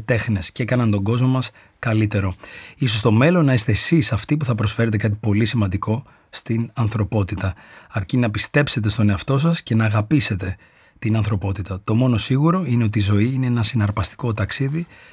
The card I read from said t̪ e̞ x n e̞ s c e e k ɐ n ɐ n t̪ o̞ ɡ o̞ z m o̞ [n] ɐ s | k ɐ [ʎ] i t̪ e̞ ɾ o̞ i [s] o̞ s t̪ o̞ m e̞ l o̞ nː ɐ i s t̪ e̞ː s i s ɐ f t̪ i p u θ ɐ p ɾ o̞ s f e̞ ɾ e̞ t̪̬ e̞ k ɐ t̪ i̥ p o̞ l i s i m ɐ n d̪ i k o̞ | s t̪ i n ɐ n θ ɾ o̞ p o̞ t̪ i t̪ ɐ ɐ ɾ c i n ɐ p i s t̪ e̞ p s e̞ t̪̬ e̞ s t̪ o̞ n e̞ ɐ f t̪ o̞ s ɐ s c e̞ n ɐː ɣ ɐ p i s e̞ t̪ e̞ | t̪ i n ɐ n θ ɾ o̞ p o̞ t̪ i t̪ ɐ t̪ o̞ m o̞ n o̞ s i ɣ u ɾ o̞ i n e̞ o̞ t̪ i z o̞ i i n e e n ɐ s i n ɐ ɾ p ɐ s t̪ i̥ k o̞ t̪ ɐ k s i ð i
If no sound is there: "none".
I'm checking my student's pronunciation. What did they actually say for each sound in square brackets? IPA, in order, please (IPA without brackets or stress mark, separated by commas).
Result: m, l, s